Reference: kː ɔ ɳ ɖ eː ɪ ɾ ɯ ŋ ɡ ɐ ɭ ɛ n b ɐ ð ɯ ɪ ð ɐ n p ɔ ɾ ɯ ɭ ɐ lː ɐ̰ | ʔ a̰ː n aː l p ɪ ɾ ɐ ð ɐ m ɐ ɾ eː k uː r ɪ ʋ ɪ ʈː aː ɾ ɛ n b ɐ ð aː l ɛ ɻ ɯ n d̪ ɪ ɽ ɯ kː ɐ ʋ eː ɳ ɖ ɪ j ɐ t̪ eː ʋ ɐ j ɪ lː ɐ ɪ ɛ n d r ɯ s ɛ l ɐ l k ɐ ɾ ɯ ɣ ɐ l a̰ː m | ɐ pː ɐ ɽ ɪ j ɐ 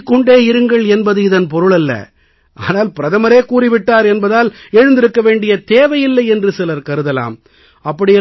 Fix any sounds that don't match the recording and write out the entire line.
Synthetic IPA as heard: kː ɔ ɳ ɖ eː ɪ ɾ ɯ ŋ ɡ ɐ ɭ ɛ n b ɐ ð ɯ ɪ ð ɐ n p ɔ ɾ ɯ ɭ ɐ lː ɐ̰ | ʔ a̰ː n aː l p ɪ ɾ ɐ ð ɐ m ɐ ɾ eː k uː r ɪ ʋ ɪ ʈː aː ɾ ɛ n b ɐ ð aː l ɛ ɻ ɯ n d̪ ɪ ɾ ɯ kː ɐ ʋ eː ɳ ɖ ɪ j ɐ t̪ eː ʋ ɐ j ɪ lː ɐ ɪ ɛ n d r ɯ s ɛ l ɐ ɾ k ɐ ɾ ɯ ð ɐ l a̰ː m | ɐ pː ɐ ɽ ɪ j ɐ

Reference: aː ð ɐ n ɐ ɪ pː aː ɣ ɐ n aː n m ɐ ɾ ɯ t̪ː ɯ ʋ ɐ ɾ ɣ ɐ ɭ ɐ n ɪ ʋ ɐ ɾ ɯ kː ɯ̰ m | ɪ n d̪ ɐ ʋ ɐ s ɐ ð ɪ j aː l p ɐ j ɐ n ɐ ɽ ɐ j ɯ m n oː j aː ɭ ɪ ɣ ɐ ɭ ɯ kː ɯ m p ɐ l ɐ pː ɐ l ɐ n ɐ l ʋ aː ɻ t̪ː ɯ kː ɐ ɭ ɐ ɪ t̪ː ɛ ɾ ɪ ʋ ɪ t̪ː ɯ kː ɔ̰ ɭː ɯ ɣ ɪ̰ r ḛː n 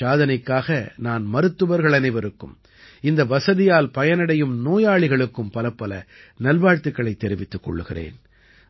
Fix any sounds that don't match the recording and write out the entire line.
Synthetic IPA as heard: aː ð ɐ n ɐ ɪ kː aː ɣ ɐ n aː n m ɐ ɾ ɯ t̪ː ɯ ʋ ɐ ɾ ɣ ɐ ɭ ɐ n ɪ ʋ ɐ ɾ ɯ kː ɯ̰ m | ɪ n d̪ ɐ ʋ ɐ s ɐ ð ɪ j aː l p ɐ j ɐ n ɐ ɽ ɐ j ɯ m n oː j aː ɭ ɪ ɣ ɐ ɭ ɯ kː ɯ m p ɐ l ɐ pː ɐ l ɐ n ɐ l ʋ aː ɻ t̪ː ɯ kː ɐ ɭ ɐ ɪ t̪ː ɛ ɾ ɪ ʋ ɪ t̪ː ɯ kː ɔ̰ ɭː ɯ ɣ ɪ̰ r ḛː n

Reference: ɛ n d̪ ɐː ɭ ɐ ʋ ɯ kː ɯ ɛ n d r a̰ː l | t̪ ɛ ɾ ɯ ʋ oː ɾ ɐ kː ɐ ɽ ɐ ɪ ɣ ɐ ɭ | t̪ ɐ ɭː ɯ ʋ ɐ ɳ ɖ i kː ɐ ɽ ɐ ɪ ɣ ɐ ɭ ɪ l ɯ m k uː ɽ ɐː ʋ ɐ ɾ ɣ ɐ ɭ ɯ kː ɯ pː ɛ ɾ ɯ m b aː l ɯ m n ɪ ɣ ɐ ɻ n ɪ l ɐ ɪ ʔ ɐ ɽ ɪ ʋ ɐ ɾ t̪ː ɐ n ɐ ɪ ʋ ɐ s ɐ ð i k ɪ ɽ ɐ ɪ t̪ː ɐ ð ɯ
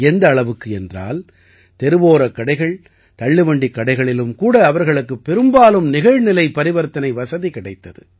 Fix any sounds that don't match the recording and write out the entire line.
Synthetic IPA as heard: ɛ n d̪ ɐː ɭ ɐ ʋ ɯ kː ɯ ɛ n d r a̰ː l | t̪ ɛ ɾ ɯ ʋ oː ɾ ɐ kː ɐ ɽ ɐ ɪ ɣ ɐ ɭ | t̪ ɐ ɭː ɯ ʋ ɐ ɳ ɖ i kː ɐ ɽ ɐ ɪ ɣ ɐ ɭ ɪ l ɯ m k uː ɽ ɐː ʋ ɐ ɾ ɣ ɐ ɭ ɯ kː ɯ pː ɛ ɾ ɯ m b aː l ɯ m n ɪ ɣ ɐ ɻ n ɪ l ɐ ɪ p ɐ ɾ ɪ ʋ ɐ ɾ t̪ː ɐ n ɐ ɪ ʋ ɐ s ɐ ð i k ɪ ɽ ɐ ɪ t̪ː ɐ ð ɯ

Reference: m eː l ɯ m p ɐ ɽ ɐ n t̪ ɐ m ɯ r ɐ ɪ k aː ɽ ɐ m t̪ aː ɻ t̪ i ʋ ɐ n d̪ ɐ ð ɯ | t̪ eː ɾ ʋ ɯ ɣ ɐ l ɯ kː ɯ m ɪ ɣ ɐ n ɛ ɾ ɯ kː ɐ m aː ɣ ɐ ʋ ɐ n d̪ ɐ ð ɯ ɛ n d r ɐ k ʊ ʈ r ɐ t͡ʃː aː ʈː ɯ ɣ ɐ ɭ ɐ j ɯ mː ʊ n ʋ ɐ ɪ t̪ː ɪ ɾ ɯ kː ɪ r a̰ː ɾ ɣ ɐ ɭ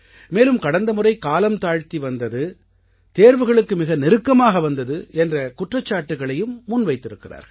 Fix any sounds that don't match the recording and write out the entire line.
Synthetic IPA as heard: m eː l ɯ m k ɐ ɽ ɐ n d̪ ɐ m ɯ r ɐ ɪ k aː l ɐ m t̪ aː ɻ t̪ i ʋ ɐ n d̪ ɐ ð ɯ | t̪ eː ɾ ʋ ɯ ɣ ɐ ɭ ɯ kː ɯ m ɪ ɣ ɐ n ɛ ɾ ɯ kː ɐ m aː ɣ ɐ ʋ ɐ n d̪ ɐ ð ɯ ɛ n d r ɐ k ʊ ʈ r ɐ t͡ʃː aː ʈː ɯ ɣ ɐ ɭ ɐ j ɯ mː ʊ n ʋ ɐ ɪ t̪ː ɪ ɾ ɯ kː ɪ r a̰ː ɾ ɣ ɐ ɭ

